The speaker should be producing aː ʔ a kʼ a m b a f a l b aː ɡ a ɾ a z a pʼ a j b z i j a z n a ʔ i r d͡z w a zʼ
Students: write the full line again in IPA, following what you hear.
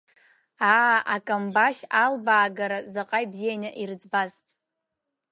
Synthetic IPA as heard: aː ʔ a kʼ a m b a ʃ a l b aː ɡ a ɾ a z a qʼ a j b z i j a n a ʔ i r d͡z b a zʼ